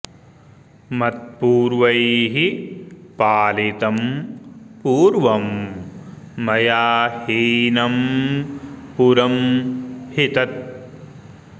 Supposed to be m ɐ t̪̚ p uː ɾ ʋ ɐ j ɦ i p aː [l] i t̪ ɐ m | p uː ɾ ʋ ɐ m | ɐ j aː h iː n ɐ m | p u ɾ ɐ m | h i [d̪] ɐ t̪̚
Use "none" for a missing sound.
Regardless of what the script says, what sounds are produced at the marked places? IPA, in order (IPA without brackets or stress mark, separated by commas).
l, t̪